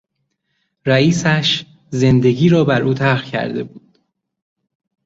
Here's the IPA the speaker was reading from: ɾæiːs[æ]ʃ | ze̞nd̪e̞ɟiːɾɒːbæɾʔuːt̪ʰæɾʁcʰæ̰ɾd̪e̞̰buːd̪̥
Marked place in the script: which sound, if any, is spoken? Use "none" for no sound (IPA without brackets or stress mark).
æ